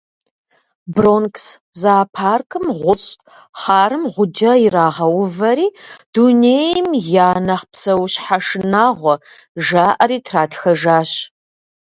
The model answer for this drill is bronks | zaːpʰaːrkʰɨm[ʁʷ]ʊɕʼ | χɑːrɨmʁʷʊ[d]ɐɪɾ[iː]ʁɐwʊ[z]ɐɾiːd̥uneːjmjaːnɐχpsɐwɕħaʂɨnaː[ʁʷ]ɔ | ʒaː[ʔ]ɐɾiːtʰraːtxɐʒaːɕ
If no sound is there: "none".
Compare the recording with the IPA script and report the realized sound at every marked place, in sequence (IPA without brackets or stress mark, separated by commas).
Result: ʁʷ, d͡ʒ, aː, v, ʁʷ, ʔ